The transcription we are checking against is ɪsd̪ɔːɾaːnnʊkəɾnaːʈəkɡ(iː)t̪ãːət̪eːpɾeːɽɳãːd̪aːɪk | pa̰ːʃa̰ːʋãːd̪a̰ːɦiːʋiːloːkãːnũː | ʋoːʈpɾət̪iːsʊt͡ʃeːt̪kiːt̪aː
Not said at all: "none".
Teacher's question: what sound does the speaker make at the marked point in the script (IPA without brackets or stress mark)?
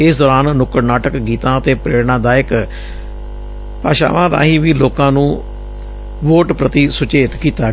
iː